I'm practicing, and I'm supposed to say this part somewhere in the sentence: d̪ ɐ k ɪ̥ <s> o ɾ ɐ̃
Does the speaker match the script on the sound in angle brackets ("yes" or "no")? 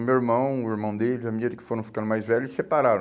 no